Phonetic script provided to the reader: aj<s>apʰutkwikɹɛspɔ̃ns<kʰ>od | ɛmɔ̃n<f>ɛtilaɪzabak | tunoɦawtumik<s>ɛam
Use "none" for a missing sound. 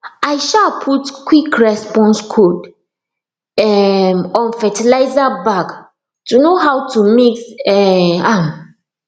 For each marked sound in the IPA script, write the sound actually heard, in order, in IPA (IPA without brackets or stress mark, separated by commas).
ʃ, kʰ, f, s